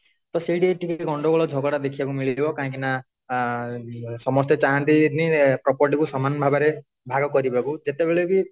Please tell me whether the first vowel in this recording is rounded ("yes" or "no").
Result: yes